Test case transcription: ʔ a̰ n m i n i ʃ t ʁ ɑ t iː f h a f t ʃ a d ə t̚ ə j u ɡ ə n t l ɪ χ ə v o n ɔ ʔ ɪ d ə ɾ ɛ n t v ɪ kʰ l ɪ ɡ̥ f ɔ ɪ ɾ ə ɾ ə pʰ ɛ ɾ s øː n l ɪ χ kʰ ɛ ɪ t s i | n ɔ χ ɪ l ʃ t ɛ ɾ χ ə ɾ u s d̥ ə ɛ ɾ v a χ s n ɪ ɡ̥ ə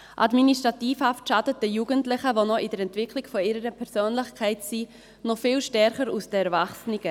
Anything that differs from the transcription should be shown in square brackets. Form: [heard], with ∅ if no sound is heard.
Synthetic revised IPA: ʔ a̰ [d] m i n i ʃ t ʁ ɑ t iː f h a f t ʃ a d ə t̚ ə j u ɡ ə n t l ɪ χ ə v o n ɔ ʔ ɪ d ə ɾ ɛ n t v ɪ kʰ l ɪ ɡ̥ f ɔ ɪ ɾ ə ɾ ə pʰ ɛ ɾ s øː n l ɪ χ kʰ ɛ ɪ t s i | n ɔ [f] ɪ l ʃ t ɛ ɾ χ ə ɾ u s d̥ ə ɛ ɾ v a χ s n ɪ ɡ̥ ə